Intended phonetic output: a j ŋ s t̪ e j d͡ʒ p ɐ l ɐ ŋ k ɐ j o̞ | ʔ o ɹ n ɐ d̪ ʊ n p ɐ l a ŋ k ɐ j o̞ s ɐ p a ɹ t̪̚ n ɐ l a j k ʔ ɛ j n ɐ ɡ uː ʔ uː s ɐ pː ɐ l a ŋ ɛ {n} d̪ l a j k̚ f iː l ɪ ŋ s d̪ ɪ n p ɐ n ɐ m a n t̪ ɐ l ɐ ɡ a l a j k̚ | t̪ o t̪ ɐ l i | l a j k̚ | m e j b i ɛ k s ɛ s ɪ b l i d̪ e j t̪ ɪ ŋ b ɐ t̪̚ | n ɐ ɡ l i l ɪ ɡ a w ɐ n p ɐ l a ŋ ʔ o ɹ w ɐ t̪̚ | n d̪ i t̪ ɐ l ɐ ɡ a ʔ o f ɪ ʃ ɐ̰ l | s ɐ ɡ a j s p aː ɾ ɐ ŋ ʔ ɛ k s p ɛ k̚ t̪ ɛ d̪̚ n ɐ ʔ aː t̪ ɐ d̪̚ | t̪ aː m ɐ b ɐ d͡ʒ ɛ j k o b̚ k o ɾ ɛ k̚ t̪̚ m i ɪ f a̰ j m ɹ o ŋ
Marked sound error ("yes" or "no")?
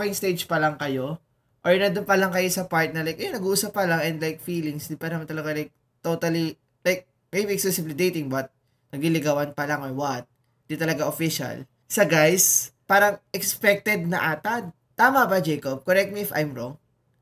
no